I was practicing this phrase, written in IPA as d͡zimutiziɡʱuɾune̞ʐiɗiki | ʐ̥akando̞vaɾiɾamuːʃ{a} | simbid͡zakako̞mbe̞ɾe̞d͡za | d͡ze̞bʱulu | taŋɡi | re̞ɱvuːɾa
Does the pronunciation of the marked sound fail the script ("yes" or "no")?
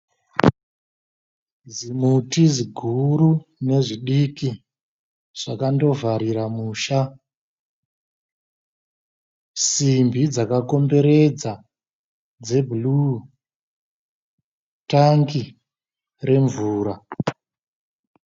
no